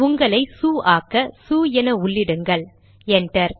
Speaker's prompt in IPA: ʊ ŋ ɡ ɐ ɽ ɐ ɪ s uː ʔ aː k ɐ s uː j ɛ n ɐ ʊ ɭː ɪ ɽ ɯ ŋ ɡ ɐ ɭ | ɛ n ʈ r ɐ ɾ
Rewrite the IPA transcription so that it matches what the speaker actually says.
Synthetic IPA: ʊ ŋ ɡ ɐ ɭ ɐ ɪ s uː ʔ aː k ɐ s uː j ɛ n ɐ ʊ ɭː ɪ ɽ ɯ ŋ ɡ ɐ ɭ | ɛ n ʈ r ɐ ɾ